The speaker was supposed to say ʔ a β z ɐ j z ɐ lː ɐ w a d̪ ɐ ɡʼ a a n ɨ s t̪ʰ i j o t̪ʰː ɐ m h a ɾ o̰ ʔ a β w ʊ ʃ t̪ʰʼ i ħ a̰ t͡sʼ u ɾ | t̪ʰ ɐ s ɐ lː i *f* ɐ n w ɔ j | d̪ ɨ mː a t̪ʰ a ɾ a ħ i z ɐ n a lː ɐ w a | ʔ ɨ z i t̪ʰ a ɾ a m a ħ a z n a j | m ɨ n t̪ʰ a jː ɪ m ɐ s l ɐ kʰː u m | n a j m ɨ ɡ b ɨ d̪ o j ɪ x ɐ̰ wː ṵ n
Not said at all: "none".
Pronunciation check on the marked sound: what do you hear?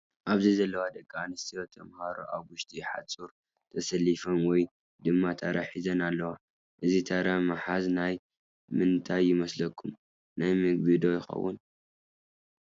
f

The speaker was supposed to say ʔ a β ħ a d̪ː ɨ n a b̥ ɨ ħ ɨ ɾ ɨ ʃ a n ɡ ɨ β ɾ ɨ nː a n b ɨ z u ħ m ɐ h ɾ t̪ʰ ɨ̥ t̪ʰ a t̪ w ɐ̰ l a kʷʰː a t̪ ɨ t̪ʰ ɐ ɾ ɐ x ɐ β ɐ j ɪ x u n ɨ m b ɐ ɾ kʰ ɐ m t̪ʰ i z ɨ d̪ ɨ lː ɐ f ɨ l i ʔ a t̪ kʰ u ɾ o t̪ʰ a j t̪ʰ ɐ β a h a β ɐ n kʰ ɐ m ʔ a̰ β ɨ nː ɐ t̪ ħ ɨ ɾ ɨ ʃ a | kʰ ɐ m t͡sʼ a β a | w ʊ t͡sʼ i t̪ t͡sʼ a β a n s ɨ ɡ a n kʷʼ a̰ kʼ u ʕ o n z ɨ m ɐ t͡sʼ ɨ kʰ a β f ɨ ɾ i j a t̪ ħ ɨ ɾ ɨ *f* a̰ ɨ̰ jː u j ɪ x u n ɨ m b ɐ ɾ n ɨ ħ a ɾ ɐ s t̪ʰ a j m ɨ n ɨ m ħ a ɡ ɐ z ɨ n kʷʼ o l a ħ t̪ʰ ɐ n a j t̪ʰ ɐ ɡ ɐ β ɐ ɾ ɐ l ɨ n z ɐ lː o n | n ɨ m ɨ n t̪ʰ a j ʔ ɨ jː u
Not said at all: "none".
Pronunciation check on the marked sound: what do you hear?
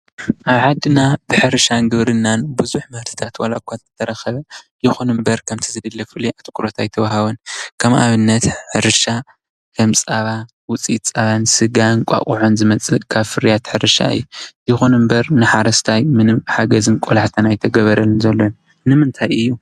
ʃ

